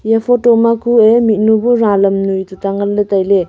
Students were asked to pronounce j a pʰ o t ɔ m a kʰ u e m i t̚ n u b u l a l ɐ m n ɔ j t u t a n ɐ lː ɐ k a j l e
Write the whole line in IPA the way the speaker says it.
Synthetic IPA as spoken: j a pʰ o t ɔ m a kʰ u e m i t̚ n u b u ɾ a l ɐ m n u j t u t a ŋ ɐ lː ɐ t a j l e